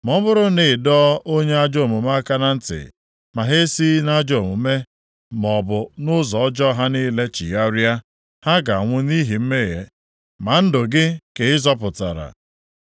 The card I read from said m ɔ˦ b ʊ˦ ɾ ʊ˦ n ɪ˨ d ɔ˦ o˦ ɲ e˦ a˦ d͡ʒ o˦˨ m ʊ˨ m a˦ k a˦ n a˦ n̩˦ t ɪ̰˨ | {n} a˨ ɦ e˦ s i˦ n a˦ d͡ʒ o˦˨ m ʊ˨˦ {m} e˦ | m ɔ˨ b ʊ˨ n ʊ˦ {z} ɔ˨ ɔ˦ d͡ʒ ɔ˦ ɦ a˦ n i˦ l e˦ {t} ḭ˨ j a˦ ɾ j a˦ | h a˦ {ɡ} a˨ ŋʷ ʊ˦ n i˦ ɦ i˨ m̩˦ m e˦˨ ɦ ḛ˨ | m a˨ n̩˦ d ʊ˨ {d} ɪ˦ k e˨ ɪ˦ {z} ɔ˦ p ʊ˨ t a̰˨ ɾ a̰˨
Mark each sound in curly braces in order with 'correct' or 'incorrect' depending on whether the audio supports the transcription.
incorrect: m, correct, correct, incorrect: t͡ʃ, correct, incorrect: ɡ, correct

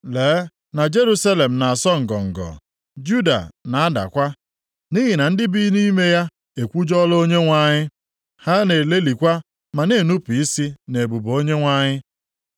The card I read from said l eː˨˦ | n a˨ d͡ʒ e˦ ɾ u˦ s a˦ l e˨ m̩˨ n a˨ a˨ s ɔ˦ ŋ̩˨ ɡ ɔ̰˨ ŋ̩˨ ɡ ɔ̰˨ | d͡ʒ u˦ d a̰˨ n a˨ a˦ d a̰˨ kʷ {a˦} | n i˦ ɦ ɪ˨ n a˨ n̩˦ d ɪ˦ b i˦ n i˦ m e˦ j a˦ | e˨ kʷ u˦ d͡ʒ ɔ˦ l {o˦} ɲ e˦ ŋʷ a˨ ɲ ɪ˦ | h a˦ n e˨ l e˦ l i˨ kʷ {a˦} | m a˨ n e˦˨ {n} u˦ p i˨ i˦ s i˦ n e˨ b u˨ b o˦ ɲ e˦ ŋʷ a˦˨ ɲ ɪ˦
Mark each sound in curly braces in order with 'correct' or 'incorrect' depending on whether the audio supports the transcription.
correct, correct, correct, correct

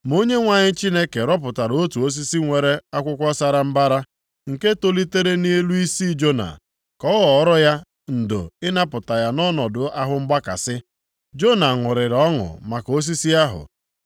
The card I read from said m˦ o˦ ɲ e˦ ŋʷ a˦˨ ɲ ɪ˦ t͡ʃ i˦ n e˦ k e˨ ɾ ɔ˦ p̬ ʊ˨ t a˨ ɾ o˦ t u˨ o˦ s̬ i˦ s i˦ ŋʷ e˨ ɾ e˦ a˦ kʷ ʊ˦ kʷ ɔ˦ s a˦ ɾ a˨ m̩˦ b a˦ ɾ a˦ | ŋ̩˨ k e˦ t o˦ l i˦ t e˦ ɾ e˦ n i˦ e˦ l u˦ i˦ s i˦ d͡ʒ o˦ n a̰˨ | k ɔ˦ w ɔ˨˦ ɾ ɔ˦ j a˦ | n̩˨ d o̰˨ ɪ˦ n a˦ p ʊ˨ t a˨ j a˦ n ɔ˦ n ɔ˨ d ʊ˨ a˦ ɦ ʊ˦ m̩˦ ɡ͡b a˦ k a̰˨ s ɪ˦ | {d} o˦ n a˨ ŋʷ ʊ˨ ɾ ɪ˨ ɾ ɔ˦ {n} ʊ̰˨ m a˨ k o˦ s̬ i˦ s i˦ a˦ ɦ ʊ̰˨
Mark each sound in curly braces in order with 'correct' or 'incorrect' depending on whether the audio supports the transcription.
incorrect: d͡ʒ, incorrect: ŋ

